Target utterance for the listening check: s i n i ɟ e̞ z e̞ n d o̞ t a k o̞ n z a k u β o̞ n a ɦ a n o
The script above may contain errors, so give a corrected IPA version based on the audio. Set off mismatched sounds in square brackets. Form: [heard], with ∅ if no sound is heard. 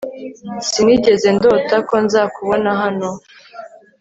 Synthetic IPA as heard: s i n i ɟ e̞ z e̞ n d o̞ t a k o̞ n z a k u β o̞ n a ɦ a n o